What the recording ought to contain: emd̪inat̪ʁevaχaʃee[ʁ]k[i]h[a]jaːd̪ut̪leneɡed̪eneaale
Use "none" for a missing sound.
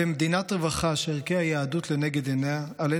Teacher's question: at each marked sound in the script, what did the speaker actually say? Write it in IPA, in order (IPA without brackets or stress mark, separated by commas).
ʁ, e, a